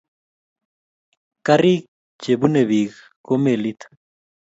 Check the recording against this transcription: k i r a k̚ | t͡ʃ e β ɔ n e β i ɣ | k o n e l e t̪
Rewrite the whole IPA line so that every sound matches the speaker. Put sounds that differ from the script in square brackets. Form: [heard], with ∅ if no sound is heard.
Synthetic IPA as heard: k [a] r [i] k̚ | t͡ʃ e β [u] n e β i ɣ | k o [m] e l [i] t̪